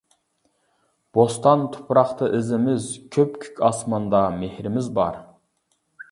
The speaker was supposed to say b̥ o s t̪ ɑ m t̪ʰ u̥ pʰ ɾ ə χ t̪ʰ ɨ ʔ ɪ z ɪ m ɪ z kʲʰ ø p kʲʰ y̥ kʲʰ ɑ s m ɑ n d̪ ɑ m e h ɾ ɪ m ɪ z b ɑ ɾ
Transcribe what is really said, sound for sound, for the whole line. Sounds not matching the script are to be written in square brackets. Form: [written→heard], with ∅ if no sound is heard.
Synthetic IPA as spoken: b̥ o s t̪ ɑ [m→n] t̪ʰ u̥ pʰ ɾ [ə→ɑ] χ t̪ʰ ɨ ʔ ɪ z ɪ m ɪ z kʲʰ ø p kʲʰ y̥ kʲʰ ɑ s m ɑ n d̪ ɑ m e h ɾ ɪ m ɪ z b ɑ ɾ

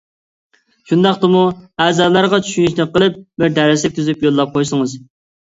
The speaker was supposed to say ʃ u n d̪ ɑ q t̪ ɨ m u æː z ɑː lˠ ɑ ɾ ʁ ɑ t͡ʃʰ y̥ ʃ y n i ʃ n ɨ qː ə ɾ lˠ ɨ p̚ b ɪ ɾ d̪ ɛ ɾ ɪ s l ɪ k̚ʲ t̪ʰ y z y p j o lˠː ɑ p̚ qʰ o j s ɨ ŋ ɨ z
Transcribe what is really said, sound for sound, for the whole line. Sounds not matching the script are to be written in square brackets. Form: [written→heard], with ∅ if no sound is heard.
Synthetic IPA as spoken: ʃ u n d̪ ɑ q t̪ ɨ m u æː z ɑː lˠ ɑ ɾ ʁ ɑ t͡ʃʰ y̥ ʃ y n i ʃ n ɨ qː ə [ɾ→∅] lˠ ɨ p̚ b ɪ ɾ d̪ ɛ ɾ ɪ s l ɪ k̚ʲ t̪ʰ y z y p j o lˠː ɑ p̚ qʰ o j s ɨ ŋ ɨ z

